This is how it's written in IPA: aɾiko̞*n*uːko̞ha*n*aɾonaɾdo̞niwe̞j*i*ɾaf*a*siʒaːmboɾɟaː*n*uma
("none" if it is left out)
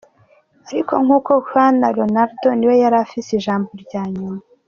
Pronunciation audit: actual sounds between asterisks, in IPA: ŋ, n, a, i, ɲ

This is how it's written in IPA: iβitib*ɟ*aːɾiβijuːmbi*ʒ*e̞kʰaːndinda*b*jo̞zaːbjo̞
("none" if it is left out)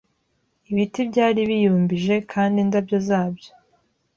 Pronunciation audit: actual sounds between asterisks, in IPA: ɟ, ʒ, b

